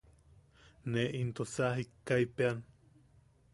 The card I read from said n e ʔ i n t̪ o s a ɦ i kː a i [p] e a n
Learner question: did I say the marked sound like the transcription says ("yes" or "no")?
yes